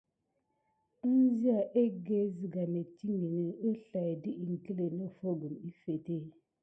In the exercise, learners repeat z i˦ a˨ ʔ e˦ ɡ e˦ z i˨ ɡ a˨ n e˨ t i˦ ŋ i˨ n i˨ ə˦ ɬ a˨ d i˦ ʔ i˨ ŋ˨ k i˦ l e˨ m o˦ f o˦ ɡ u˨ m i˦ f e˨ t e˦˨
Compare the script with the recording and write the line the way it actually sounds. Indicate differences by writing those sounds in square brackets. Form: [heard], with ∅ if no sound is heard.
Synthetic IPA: z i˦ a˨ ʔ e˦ ɡ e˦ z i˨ ɡ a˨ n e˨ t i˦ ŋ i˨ n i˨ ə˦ ɬ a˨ d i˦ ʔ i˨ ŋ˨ k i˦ l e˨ [n] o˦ f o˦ ɡ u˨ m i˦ f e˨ t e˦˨